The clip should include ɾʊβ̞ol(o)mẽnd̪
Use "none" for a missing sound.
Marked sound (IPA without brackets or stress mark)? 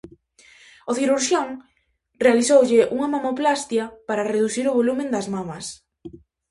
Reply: u